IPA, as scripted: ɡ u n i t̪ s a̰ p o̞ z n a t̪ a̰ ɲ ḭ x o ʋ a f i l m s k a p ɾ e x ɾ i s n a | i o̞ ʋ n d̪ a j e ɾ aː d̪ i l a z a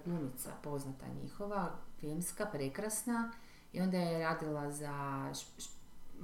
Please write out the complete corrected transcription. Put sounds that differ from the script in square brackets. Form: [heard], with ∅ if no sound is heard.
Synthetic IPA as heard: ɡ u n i t̪ s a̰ p o̞ z n a t̪ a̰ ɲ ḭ x o ʋ a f i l m s k a p ɾ e [k] ɾ [a] s n a | i o̞ [∅] n d̪ a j e ɾ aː d̪ i l a z a